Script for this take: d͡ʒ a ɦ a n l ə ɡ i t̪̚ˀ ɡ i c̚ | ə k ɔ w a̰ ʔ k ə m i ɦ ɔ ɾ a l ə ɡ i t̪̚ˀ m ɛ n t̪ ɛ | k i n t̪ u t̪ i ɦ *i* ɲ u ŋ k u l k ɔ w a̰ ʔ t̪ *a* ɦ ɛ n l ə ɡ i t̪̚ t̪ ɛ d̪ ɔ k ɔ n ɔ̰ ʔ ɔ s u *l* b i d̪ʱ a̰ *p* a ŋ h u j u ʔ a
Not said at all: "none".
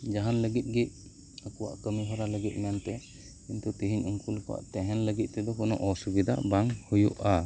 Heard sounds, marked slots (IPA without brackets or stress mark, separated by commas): i, ɛ, none, b